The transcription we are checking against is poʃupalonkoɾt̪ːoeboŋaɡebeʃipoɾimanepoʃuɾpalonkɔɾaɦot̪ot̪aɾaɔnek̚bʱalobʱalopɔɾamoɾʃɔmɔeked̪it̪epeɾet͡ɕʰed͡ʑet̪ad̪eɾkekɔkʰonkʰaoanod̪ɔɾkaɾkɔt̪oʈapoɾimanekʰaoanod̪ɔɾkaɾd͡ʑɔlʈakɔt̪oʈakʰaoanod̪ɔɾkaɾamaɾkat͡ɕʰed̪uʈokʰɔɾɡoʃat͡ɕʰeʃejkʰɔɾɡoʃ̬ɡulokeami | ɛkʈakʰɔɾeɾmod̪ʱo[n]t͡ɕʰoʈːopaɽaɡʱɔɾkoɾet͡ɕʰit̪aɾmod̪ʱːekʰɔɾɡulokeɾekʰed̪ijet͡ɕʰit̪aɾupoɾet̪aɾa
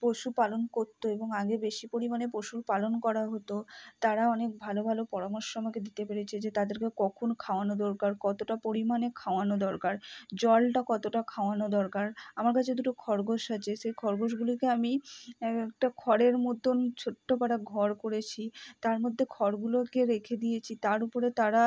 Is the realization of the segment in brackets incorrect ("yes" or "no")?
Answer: no